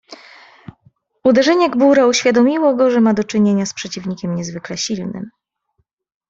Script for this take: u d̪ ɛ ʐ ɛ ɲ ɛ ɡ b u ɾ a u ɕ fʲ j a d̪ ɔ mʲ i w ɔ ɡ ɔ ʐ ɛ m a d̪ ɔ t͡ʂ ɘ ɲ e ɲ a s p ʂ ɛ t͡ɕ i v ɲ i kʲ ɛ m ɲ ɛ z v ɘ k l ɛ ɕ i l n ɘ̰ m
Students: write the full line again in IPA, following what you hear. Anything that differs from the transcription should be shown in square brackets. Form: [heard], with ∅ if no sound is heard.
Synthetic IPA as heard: u d̪ ɛ ʐ ɛ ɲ ɛ ɡ b u ɾ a u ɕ fʲ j a d̪ ɔ mʲ i w ɔ ɡ ɔ ʐ ɛ m a d̪ ɔ t͡ʂ ɘ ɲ e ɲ a s p ʂ ɛ t͡ɕ i v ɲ i kʲ ɛ m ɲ ɛ z v ɘ k l ɛ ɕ i l n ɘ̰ m